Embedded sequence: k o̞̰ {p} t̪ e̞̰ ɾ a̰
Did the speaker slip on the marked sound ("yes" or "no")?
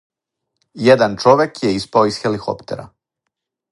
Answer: no